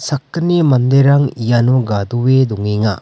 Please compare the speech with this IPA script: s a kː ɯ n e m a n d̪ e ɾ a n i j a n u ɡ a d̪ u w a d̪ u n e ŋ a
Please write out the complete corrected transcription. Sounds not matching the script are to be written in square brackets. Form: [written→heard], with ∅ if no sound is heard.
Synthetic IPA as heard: s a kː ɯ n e m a n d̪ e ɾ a [n→ŋ] i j a n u ɡ a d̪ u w [a→e] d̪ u [n→ŋ] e ŋ a